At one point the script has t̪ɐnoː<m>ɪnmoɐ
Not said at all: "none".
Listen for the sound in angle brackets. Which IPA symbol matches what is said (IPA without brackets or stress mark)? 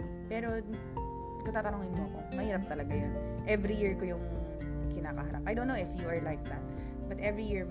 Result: ŋ